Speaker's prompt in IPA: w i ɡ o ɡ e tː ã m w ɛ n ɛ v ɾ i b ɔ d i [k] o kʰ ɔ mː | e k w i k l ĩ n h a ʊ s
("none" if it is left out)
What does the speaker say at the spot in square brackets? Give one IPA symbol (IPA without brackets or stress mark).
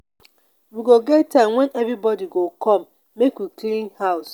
ɡ